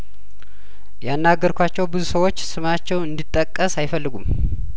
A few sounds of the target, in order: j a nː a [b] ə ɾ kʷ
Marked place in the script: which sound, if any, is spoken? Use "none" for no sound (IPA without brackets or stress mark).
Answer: ɡ